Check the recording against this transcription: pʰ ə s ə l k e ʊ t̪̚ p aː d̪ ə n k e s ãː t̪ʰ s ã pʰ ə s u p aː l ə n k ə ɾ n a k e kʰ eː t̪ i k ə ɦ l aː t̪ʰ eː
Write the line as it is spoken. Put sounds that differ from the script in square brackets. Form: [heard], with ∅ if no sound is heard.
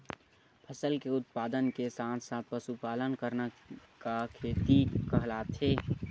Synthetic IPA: pʰ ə s ə l k e ʊ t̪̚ p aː d̪ ə n k e s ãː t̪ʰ s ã [p] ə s u p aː l ə n k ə ɾ n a k [a] kʰ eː t̪ i k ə ɦ l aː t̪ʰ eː